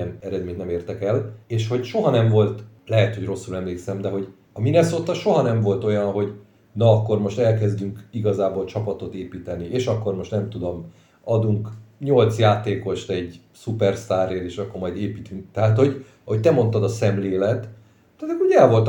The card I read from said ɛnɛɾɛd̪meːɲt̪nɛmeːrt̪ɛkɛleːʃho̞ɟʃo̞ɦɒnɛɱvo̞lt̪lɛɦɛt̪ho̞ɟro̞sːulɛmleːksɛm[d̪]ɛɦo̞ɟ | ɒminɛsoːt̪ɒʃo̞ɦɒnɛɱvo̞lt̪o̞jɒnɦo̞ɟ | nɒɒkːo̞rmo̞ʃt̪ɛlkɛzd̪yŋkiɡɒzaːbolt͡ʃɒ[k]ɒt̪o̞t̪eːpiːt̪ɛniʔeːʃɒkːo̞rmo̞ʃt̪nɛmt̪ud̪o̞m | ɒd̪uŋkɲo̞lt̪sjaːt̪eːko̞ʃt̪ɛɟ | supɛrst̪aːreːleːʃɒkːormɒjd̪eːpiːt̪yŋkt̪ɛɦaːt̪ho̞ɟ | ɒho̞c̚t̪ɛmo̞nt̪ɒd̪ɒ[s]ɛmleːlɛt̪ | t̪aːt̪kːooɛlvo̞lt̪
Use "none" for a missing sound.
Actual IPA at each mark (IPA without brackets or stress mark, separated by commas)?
d̪, p, s